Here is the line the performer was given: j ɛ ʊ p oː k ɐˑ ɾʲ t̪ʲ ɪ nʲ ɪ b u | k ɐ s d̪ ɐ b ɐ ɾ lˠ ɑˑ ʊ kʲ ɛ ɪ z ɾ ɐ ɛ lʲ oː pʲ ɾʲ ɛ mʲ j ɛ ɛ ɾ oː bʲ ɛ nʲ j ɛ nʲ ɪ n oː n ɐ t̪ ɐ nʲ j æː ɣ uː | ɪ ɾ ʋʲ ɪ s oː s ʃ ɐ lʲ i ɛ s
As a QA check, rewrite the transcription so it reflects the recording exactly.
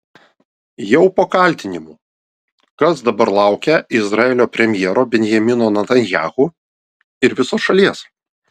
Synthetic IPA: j ɛ ʊ p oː k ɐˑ lʲ t̪ʲ ɪ nʲ ɪ m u | k ɐ s d̪ ɐ b ɐ ɾ lˠ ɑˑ ʊ kʲ ɛ ɪ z ɾ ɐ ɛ lʲ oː pʲ ɾʲ ɛ mʲ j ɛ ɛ ɾ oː bʲ ɛ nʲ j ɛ mʲ ɪ n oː n ɐ t̪ ɐ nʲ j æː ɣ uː | ɪ ɾ ʋʲ ɪ s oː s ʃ ɐ lʲ i ɛ s